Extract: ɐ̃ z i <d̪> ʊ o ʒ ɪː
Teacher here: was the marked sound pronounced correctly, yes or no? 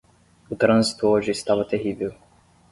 no